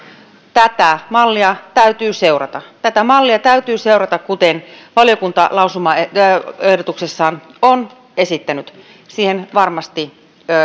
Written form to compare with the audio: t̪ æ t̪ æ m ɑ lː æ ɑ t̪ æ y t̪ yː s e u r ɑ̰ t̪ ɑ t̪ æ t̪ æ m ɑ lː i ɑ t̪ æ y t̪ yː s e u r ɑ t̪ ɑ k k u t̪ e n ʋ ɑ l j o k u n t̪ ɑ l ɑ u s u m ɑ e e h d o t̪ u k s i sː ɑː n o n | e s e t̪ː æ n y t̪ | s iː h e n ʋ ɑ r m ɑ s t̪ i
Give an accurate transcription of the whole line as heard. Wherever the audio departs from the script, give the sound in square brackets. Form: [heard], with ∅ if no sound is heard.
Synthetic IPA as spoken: t̪ æ t̪ æ m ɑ lː [i] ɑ t̪ æ y t̪ yː s e u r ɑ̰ t̪ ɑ t̪ æ t̪ æ m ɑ lː i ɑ t̪ æ y t̪ yː s e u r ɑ t̪ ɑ k k u t̪ e n ʋ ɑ l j o k u n t̪ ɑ l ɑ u s u m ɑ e e h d o t̪ u k s [e] sː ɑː n o n | e s [i] t̪ː æ n y t̪ | s iː h e n ʋ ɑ r m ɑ s t̪ i